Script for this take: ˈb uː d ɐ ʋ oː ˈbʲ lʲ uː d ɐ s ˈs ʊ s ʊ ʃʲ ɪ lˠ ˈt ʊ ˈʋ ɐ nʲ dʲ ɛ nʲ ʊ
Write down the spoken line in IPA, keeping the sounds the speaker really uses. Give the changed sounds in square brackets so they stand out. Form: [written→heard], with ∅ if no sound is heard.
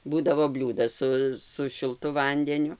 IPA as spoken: ˈb uː d ɐ ʋ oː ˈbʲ lʲ uː d ɐ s ˈs ʊ s ʊ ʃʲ ɪ lˠ ˈt ʊ ˈʋ ɐ nʲ dʲ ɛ nʲ ʊ